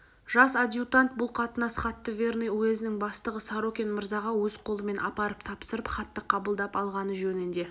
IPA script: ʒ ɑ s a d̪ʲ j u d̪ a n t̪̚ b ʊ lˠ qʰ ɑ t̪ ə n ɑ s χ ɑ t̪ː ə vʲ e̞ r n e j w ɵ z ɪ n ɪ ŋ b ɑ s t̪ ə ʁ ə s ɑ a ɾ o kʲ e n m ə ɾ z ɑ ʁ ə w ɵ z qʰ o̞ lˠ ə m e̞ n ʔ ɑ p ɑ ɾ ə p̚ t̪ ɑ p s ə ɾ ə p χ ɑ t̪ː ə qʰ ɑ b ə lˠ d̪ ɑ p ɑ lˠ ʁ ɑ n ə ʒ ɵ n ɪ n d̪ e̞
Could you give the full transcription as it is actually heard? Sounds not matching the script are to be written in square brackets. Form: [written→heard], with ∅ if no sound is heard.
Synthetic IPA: ʒ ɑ s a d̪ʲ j u [d̪→t̪] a n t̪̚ b ʊ lˠ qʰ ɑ t̪ ə n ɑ s χ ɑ t̪ː ə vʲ e̞ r n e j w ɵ z ɪ n ɪ ŋ b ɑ s t̪ ə ʁ ə s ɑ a ɾ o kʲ e n m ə ɾ z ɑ ʁ [ə→ɑ] w ɵ z qʰ o̞ lˠ ə m e̞ n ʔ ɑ p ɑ ɾ ə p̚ [t̪→t̪ʰ] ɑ p s ə ɾ ə p χ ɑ t̪ː ə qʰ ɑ b ə lˠ d̪ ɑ p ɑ lˠ ʁ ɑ n ə ʒ ɵ n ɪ n d̪ e̞